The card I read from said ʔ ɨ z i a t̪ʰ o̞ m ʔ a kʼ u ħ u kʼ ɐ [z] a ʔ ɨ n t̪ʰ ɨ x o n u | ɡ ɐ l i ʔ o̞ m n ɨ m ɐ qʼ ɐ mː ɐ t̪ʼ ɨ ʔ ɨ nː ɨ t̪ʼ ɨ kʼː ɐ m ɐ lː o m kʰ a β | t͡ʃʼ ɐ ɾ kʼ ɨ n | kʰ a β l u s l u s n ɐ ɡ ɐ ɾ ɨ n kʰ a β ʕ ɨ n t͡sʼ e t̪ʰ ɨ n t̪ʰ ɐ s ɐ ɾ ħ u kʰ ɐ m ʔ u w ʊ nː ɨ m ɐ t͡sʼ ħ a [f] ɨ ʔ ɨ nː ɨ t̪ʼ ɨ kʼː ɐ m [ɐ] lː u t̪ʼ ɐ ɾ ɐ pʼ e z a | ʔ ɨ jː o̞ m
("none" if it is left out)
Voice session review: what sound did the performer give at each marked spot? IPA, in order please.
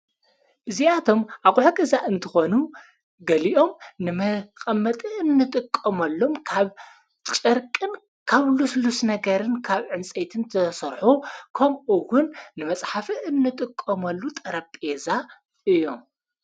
z, f, ɐ

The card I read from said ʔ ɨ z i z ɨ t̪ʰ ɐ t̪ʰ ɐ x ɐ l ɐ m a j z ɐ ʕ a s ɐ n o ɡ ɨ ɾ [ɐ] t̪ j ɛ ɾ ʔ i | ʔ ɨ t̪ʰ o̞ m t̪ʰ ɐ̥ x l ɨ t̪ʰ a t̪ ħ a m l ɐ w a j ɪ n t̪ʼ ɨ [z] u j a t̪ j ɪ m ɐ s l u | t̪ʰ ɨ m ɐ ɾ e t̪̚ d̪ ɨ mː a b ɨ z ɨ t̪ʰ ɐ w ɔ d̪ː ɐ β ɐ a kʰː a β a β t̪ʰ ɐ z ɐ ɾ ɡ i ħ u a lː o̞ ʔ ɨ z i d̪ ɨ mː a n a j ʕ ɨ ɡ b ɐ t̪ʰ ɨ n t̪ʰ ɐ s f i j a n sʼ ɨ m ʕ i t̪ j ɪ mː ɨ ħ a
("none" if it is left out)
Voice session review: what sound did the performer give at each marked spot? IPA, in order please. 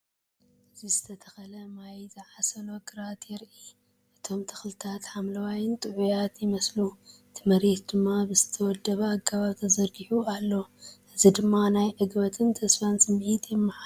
a, ʕ

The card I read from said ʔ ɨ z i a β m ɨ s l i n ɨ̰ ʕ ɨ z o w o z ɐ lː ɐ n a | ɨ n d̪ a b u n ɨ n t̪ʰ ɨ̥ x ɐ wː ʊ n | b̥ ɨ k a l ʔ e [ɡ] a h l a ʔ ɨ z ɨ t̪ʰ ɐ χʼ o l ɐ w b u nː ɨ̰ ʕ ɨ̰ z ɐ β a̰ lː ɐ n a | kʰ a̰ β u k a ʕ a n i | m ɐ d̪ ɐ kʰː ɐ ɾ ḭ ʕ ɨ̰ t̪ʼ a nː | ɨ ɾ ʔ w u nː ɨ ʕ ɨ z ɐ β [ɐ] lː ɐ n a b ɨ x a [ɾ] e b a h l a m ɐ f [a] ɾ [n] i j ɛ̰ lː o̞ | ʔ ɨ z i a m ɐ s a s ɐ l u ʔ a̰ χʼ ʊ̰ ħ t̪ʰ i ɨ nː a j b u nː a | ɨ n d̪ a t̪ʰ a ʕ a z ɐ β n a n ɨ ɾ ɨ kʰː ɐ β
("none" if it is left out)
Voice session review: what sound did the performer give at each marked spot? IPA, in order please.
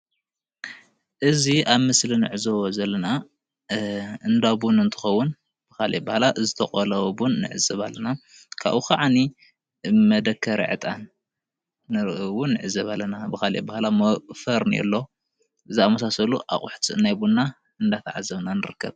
b, a, l, ɐ, n

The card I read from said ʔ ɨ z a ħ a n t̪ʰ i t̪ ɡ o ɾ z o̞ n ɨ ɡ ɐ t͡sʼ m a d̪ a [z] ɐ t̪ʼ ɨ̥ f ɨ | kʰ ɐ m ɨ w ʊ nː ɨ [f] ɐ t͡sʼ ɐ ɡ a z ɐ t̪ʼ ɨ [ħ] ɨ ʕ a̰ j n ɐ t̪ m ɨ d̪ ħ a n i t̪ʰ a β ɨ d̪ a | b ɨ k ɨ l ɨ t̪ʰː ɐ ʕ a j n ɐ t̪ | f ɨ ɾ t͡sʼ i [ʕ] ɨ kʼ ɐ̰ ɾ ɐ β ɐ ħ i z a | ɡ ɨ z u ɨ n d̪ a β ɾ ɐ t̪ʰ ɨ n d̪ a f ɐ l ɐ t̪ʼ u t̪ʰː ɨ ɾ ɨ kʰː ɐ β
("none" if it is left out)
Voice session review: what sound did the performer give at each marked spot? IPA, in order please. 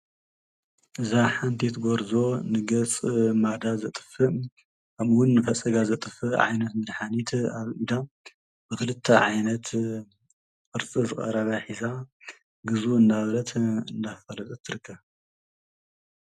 z, f, f, z

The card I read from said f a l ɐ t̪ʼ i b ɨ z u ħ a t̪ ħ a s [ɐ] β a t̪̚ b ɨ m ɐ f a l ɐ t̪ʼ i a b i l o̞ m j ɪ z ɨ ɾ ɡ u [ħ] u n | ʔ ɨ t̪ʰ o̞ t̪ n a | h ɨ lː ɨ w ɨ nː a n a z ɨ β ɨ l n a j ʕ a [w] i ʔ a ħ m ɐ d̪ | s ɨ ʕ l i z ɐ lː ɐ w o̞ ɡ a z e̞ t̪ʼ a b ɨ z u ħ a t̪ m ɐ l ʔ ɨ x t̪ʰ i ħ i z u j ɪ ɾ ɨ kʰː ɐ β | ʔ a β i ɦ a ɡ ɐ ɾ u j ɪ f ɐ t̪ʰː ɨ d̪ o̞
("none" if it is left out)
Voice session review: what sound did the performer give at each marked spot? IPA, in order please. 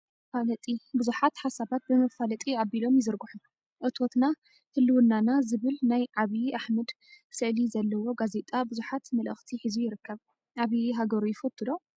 a, ħ, β

